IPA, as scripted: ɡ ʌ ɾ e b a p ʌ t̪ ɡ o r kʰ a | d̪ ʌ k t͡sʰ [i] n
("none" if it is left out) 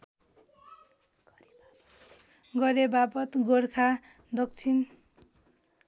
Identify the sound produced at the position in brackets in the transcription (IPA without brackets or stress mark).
i